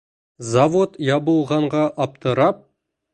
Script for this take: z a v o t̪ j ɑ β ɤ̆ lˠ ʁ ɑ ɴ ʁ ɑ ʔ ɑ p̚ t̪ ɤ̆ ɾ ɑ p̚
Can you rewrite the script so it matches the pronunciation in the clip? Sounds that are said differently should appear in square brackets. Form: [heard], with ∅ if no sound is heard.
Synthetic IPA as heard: z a v o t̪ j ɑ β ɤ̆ lˠ ʁ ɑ ɴ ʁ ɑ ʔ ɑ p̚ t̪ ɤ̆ ɾ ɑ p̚